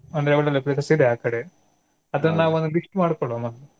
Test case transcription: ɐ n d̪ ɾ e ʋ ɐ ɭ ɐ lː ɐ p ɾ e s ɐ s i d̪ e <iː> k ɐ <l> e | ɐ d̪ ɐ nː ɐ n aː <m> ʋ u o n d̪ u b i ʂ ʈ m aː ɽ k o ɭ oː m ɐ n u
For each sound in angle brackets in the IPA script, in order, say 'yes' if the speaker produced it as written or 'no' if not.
no, no, no

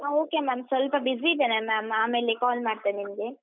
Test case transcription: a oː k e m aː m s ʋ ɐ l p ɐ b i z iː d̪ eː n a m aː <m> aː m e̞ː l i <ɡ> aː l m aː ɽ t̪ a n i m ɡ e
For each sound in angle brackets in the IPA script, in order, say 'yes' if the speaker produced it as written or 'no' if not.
yes, no

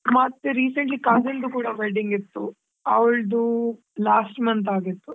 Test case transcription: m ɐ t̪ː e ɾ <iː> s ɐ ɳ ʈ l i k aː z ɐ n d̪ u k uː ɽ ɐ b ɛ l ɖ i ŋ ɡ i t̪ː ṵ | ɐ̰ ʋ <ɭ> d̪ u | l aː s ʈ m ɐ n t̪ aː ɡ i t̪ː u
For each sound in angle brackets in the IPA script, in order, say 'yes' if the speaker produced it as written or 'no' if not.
yes, yes

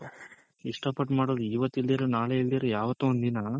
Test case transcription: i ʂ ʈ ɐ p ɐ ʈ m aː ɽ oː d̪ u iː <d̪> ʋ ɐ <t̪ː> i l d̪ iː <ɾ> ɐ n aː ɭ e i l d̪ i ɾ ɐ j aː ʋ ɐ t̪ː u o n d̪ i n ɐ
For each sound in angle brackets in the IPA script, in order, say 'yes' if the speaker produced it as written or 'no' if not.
no, yes, yes

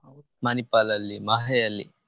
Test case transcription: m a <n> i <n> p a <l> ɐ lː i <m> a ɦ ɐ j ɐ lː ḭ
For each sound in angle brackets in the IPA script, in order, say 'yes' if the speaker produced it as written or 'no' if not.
yes, no, yes, yes

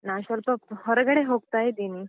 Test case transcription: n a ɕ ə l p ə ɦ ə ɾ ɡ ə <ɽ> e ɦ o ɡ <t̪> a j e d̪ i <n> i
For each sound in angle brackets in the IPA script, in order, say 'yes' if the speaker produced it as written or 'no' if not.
yes, yes, yes

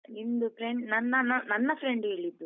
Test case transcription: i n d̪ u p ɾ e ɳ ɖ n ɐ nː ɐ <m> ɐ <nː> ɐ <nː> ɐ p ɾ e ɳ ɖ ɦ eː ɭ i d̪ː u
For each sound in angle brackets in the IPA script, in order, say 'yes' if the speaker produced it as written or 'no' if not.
no, no, yes

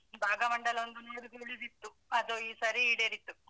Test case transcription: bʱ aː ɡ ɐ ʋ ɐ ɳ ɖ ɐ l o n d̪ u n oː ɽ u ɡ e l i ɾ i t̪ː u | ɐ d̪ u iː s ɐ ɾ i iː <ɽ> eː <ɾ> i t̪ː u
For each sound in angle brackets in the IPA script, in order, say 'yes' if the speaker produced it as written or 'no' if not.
yes, yes

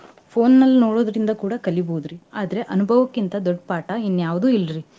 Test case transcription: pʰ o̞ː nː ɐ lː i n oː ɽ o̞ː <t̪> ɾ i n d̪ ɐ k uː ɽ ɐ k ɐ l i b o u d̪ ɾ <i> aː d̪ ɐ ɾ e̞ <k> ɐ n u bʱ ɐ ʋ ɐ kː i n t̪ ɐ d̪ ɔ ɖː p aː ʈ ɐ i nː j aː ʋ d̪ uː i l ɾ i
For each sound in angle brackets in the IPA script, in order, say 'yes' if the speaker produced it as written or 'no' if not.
no, yes, no

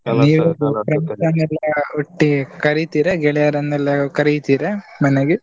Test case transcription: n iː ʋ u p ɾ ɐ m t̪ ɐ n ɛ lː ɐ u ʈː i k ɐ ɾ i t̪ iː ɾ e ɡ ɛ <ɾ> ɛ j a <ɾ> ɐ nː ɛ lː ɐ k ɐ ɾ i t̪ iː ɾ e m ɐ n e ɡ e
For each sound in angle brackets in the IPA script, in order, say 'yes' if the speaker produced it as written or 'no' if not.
no, yes

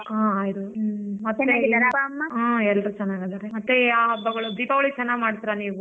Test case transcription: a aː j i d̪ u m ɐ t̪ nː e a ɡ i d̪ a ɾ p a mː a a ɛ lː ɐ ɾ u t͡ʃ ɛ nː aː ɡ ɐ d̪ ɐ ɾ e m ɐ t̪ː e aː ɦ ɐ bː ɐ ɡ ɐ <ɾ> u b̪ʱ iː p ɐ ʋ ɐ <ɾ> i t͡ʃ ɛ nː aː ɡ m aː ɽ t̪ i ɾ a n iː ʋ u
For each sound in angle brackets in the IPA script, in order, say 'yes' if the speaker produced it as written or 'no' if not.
no, no

